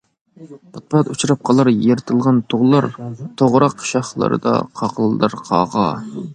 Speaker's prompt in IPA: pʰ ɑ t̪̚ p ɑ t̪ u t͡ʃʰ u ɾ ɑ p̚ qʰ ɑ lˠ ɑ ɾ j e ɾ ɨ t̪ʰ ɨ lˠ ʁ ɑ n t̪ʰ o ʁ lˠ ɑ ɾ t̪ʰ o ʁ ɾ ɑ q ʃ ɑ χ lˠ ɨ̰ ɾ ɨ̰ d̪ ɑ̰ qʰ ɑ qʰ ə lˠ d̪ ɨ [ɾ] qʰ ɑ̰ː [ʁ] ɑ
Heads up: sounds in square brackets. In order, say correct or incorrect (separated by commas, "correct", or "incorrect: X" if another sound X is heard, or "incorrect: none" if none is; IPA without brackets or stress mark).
correct, correct